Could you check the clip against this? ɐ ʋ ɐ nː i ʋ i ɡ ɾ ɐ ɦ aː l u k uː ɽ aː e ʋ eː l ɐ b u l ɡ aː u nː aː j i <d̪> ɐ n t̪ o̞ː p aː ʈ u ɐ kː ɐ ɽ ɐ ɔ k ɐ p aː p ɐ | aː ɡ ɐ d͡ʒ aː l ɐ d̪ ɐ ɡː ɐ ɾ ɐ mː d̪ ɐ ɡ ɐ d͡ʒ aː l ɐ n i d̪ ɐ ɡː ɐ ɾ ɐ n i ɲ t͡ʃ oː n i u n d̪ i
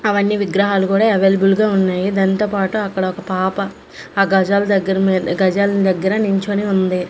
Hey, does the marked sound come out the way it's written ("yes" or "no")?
yes